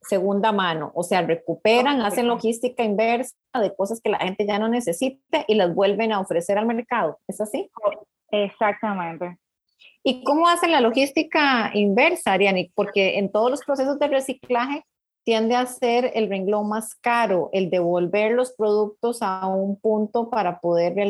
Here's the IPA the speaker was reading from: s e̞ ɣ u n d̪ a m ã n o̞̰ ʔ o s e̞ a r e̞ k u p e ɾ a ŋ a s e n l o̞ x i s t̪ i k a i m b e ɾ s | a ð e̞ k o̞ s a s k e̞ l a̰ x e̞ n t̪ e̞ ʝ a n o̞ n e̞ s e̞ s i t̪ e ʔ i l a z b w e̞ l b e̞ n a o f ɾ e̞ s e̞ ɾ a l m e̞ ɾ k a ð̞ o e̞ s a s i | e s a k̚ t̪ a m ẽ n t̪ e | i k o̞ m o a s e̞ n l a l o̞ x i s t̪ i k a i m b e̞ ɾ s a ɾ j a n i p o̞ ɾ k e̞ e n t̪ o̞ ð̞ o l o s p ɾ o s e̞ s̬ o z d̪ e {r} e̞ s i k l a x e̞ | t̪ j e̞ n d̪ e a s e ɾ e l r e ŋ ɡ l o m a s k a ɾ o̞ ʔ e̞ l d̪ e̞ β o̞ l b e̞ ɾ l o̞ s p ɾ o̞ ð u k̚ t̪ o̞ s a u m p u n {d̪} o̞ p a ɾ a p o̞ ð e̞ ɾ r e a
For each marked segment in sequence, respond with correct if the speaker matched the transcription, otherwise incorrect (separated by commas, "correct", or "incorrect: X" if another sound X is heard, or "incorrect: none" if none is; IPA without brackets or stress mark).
correct, incorrect: t̪